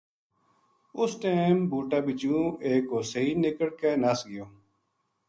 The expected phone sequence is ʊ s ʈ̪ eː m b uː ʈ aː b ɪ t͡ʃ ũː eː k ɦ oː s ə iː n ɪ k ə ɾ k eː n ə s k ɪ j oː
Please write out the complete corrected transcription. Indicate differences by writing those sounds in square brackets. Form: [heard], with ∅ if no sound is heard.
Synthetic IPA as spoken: ʊ s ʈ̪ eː m b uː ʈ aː b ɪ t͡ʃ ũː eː k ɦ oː s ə iː n ɪ k ə [ɽ] k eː n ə s [ɡ] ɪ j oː